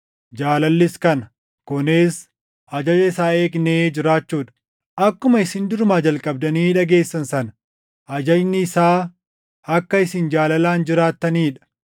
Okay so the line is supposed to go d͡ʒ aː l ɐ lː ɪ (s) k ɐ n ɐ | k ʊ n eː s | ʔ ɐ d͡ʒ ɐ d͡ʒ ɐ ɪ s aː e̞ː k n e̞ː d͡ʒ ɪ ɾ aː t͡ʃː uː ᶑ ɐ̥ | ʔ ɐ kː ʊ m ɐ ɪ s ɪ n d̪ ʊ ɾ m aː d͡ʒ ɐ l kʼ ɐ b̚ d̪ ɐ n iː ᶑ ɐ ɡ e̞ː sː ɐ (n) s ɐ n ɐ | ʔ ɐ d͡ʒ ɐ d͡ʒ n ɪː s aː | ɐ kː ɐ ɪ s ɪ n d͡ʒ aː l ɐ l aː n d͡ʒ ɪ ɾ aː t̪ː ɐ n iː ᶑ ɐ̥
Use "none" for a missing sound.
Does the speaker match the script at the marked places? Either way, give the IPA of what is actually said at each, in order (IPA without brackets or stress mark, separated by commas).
s, n